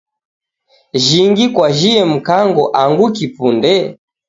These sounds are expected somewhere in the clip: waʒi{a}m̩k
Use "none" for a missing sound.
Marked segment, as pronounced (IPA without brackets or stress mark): ɛ